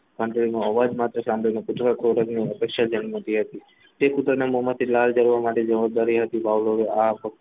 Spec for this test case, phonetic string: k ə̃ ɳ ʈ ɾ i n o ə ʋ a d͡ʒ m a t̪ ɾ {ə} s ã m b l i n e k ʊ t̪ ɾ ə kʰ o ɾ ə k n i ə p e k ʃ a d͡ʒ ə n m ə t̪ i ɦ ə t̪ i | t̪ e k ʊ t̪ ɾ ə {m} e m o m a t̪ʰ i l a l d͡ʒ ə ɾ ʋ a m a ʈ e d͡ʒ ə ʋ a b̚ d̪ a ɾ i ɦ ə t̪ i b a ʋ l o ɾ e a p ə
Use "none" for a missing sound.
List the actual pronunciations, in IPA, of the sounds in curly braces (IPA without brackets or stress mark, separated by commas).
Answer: ə, n